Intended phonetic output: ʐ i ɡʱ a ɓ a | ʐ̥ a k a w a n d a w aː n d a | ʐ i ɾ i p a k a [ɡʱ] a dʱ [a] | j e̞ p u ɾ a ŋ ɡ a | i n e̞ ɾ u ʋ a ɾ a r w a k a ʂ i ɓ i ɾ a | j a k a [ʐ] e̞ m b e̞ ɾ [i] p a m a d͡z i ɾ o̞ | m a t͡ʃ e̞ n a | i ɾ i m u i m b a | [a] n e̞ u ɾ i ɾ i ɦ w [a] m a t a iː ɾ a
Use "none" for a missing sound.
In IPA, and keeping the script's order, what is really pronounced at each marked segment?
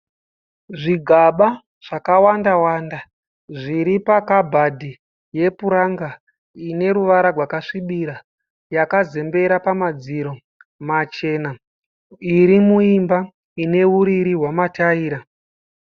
bʱ, i, z, a, i, a

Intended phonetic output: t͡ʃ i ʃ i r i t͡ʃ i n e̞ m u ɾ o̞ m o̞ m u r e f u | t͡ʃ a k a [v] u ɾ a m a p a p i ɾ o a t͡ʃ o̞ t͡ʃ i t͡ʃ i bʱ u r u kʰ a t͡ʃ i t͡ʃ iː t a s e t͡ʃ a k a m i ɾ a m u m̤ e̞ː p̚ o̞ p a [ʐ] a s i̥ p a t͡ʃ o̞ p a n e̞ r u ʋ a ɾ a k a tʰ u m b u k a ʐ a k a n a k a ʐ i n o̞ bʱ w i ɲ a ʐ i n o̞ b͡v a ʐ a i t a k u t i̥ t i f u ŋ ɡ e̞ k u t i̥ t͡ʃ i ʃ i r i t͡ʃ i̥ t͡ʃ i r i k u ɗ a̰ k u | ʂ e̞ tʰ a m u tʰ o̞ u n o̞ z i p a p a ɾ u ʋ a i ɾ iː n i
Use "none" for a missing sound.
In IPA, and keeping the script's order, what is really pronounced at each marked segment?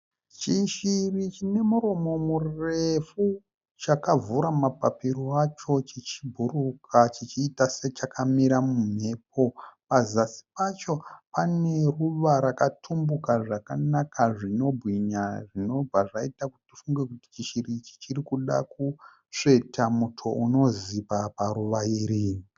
v, z

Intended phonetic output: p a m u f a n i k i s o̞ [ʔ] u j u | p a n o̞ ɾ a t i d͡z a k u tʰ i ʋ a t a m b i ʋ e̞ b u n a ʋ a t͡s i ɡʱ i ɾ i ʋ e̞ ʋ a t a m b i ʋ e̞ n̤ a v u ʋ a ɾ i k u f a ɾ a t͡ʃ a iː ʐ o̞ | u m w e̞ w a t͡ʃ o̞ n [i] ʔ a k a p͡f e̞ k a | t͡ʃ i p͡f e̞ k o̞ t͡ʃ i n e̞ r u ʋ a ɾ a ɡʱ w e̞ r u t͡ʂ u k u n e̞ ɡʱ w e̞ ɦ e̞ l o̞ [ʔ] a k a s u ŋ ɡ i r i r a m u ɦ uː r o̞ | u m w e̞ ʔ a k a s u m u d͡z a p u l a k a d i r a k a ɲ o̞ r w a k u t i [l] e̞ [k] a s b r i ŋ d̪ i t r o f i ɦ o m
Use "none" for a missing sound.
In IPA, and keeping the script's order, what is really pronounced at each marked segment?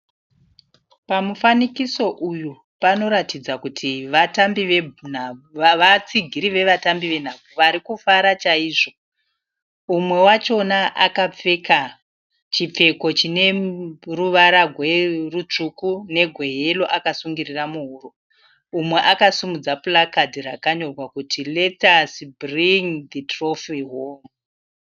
ʔ, a, ʔ, l, t

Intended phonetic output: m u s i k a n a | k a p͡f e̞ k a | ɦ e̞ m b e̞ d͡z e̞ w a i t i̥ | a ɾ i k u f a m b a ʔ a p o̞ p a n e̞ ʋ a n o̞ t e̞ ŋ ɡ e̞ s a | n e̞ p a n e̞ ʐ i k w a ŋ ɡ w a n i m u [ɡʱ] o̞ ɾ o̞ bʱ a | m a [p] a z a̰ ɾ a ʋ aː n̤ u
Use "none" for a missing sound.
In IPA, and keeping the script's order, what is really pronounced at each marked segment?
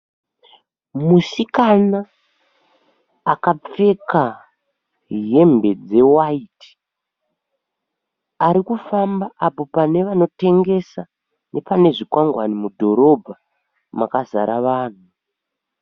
dʱ, k

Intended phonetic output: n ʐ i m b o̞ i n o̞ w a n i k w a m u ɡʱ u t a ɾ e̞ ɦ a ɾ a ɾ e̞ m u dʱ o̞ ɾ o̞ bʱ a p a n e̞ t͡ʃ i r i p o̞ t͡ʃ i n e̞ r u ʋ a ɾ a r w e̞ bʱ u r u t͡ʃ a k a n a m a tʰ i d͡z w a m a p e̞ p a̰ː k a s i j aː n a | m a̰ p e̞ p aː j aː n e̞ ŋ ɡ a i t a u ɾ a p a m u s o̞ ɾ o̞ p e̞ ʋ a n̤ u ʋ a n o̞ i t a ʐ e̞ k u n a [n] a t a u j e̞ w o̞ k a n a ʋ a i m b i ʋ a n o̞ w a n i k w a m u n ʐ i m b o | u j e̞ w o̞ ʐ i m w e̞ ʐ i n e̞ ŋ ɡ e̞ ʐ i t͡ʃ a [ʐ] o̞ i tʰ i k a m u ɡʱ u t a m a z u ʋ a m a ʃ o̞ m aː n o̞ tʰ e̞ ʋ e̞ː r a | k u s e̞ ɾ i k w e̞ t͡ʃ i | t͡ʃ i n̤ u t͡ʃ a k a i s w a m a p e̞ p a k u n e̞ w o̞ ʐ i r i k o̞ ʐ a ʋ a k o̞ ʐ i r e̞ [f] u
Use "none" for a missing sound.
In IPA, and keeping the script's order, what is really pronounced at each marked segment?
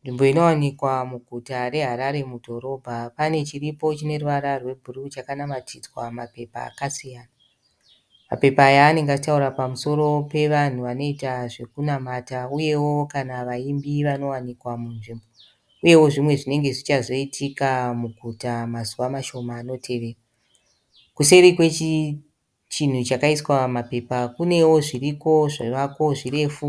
m, z, f

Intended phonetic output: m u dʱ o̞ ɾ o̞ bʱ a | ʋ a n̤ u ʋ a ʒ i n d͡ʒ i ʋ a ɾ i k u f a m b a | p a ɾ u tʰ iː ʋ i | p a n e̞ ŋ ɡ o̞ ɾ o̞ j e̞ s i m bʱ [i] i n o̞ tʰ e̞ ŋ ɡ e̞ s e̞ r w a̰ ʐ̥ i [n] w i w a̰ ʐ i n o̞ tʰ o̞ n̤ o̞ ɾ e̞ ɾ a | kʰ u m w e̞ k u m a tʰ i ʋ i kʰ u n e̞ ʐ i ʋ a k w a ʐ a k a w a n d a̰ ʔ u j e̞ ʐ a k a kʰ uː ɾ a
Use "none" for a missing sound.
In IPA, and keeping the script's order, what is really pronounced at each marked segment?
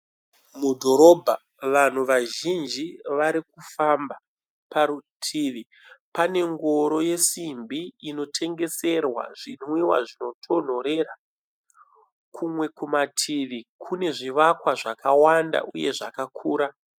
i, n

